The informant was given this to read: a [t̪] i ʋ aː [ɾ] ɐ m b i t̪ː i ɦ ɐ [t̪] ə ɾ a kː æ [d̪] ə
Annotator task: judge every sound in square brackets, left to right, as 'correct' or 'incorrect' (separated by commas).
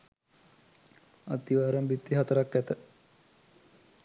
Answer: correct, correct, correct, incorrect